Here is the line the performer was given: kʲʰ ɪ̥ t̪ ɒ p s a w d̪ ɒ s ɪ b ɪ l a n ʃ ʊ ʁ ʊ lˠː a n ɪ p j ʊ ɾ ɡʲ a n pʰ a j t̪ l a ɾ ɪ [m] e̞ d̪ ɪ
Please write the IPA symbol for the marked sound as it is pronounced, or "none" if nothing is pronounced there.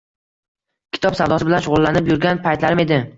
m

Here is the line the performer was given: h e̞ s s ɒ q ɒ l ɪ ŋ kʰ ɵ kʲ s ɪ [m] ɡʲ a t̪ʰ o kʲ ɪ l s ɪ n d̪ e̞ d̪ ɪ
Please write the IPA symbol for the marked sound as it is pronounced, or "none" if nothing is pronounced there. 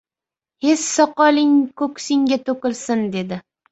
ŋ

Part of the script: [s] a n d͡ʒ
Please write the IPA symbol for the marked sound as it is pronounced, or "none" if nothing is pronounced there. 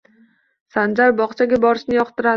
s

